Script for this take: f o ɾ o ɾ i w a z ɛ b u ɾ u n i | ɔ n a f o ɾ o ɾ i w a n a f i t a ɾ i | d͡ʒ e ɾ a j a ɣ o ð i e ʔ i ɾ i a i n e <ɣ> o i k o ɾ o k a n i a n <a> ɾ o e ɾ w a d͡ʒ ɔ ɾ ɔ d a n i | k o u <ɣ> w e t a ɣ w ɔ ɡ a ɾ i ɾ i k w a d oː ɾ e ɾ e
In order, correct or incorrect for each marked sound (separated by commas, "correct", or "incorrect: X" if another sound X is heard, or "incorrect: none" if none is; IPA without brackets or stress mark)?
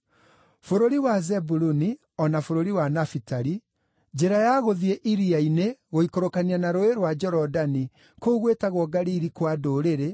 correct, correct, correct